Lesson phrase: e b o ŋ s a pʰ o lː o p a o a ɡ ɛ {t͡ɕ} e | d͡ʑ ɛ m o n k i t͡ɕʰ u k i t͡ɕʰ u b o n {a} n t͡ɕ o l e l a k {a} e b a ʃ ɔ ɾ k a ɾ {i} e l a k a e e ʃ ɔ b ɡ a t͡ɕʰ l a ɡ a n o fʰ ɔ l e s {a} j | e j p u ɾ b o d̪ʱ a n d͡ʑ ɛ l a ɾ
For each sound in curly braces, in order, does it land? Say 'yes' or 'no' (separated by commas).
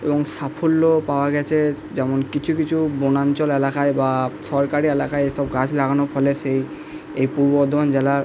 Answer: no, yes, yes, yes, no